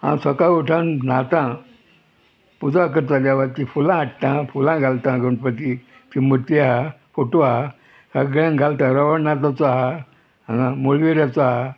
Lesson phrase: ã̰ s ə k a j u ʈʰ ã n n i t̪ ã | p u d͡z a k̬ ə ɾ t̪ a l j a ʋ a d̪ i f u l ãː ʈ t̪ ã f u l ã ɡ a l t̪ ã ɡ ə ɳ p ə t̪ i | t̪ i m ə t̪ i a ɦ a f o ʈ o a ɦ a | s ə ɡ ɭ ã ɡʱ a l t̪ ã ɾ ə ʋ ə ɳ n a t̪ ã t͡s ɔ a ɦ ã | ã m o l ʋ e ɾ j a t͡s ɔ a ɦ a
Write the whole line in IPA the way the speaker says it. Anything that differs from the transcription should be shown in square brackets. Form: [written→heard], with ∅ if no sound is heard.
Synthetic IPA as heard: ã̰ s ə k a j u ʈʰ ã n n [i→a] t̪ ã | p u d͡z a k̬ ə ɾ t̪ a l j a ʋ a [d̪→t̪] i f u l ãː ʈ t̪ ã f u l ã ɡ a l t̪ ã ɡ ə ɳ p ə t̪ i | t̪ i m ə t̪ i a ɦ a f o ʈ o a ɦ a | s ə ɡ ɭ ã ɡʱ a l t̪ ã ɾ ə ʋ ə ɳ n a t̪ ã t͡s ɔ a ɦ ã | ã m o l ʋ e ɾ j a t͡s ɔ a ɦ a